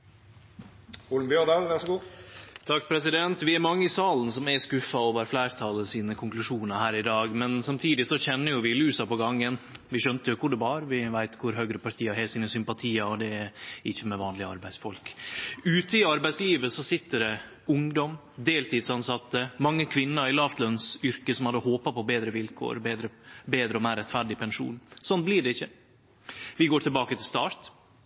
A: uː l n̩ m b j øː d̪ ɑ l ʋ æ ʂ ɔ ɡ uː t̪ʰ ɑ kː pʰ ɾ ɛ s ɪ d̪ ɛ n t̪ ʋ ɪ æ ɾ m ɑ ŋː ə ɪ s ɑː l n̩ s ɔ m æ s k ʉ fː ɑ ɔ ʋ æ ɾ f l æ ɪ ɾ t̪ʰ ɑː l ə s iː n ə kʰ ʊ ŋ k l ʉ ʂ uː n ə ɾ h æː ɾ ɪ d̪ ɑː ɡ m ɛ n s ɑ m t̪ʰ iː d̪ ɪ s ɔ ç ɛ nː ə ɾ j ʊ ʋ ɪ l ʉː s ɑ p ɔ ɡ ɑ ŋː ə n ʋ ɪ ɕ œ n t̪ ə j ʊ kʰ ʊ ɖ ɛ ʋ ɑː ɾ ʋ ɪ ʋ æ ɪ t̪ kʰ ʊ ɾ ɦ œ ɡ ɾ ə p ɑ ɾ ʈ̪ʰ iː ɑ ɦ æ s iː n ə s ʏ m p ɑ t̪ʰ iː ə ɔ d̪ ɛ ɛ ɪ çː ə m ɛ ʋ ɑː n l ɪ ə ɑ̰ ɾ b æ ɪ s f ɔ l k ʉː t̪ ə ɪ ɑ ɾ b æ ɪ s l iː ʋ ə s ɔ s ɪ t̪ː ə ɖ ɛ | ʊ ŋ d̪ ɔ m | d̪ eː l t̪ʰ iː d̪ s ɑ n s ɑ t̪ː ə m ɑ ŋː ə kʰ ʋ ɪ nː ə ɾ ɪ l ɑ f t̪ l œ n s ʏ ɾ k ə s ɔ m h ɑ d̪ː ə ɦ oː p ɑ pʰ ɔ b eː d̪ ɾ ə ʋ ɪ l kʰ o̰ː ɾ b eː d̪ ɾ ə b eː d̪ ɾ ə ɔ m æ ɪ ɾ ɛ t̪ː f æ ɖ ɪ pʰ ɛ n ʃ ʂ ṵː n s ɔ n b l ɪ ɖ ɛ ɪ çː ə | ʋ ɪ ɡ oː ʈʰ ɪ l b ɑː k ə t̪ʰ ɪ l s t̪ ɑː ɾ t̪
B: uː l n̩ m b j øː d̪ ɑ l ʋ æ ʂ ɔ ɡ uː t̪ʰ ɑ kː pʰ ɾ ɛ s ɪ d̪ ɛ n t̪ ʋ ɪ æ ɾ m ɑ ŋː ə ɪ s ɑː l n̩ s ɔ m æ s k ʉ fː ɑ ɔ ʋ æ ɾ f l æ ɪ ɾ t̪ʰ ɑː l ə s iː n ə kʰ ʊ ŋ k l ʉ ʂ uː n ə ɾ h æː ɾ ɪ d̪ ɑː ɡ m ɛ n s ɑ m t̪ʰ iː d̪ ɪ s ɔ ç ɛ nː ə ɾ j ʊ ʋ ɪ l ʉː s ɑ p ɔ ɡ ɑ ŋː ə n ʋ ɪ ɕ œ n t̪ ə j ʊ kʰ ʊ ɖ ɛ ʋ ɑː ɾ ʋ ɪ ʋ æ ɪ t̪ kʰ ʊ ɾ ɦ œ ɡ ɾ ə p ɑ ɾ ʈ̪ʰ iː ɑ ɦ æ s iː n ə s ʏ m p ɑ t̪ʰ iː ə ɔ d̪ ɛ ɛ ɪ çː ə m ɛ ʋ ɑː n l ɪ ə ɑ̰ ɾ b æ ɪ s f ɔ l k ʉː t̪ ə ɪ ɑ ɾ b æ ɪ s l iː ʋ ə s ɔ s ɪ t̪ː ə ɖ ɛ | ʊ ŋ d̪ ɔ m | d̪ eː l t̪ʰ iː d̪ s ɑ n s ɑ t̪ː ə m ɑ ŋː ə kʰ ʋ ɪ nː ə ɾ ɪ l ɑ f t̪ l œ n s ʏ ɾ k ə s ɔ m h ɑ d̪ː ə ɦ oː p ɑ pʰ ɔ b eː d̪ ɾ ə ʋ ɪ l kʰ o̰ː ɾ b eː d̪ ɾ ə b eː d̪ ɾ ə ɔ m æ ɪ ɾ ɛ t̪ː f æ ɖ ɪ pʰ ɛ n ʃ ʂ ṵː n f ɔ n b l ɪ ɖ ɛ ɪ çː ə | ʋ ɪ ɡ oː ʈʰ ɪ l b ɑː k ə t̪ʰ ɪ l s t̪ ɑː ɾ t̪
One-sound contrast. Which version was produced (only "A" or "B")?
A